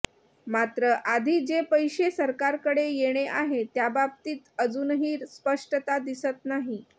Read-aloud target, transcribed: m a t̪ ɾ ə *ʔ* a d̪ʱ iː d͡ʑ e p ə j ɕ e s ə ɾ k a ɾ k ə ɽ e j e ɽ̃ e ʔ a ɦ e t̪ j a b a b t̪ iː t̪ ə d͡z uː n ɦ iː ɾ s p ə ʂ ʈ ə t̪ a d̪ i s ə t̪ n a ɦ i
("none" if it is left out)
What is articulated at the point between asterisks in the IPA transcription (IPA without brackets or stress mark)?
ʔ